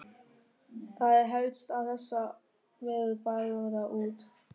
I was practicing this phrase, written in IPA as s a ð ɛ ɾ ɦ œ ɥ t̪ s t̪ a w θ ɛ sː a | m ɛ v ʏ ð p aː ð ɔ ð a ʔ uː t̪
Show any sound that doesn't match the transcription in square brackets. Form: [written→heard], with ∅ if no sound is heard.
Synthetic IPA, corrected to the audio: [s→θ] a ð ɛ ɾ ɦ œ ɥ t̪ s t̪ a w θ ɛ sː a | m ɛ [v→ð] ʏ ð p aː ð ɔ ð a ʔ uː t̪